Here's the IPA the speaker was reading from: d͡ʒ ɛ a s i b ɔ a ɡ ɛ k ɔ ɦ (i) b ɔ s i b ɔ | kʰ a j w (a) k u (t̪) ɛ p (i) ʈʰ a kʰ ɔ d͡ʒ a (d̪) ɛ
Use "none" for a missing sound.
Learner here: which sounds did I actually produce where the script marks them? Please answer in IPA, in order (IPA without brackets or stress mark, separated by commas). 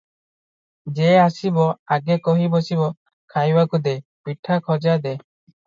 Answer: i, a, d̪, i, d̪